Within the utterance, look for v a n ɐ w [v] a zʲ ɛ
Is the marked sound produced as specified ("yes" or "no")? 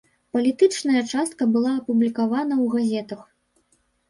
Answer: no